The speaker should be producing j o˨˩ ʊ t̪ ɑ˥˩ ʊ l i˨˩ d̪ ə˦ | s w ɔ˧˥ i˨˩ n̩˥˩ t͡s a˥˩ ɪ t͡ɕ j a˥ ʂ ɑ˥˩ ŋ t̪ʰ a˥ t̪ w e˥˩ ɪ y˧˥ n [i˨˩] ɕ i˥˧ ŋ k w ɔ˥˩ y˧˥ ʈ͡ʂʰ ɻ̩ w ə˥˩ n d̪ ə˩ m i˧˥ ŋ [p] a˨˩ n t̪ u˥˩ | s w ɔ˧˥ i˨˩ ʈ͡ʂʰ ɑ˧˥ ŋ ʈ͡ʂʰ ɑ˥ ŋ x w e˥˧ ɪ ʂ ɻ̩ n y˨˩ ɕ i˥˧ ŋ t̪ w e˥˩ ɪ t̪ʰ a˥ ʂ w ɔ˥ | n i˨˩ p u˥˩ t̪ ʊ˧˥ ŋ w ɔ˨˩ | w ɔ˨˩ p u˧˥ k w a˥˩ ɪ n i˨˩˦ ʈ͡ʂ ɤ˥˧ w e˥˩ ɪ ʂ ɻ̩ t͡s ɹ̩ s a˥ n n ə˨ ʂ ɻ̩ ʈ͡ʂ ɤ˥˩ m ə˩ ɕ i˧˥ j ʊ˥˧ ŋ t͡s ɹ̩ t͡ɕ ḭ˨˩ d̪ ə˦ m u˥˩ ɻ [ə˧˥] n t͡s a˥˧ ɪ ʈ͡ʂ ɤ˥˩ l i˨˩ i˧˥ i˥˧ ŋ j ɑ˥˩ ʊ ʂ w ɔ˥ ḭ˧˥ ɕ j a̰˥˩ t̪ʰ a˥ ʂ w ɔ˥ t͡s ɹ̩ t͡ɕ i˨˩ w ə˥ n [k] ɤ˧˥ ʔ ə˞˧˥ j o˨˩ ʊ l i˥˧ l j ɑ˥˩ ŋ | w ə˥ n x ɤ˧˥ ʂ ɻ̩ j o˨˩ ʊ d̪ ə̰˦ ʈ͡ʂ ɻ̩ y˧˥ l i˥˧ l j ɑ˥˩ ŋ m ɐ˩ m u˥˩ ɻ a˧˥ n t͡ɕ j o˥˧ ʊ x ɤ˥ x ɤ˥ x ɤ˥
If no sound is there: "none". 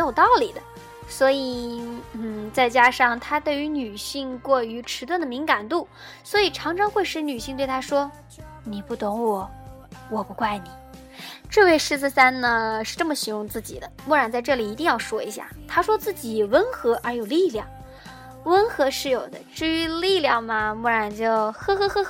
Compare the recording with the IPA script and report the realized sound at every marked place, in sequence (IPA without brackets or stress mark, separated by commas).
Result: y˨˩, k, a˧˥, x